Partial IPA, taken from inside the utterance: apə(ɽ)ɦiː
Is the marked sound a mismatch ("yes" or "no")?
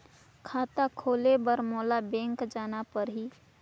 yes